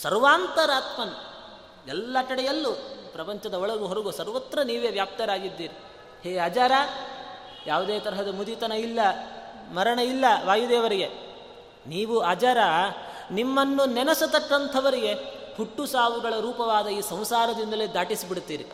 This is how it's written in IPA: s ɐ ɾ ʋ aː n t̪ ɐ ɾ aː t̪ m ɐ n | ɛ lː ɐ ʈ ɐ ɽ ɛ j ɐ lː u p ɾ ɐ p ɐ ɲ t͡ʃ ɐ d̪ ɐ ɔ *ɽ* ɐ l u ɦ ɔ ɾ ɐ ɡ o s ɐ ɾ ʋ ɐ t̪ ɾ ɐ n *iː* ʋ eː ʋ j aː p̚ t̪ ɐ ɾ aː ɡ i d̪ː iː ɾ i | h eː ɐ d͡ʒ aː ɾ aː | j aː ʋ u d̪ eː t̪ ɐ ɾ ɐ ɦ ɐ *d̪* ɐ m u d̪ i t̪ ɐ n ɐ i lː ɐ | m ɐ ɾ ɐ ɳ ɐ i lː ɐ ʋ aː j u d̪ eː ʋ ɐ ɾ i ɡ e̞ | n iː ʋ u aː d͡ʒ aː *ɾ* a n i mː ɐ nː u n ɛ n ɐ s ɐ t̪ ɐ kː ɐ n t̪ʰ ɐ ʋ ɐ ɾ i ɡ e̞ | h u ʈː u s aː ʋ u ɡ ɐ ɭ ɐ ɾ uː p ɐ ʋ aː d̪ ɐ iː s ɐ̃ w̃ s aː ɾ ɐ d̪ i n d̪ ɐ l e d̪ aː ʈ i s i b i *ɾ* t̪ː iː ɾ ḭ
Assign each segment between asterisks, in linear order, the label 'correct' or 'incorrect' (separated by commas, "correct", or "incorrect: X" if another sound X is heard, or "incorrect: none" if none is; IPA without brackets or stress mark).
incorrect: ɭ, correct, correct, correct, incorrect: ɽ